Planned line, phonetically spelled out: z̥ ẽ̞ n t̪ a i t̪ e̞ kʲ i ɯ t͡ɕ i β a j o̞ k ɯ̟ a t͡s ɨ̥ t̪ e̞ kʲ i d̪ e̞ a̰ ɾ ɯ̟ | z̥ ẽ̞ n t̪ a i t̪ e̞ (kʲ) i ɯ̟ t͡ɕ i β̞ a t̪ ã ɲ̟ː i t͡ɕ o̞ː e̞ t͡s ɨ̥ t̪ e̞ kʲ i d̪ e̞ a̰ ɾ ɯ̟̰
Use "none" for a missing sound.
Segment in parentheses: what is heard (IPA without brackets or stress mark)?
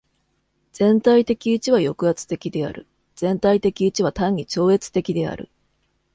kʲ